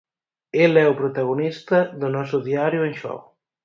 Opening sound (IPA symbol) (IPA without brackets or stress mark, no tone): e